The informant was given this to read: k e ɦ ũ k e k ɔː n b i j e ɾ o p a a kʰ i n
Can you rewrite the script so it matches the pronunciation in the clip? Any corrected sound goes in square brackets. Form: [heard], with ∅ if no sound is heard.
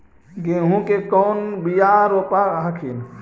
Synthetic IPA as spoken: [ɡ] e ɦ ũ k e k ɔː n b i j [a] ɾ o p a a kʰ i n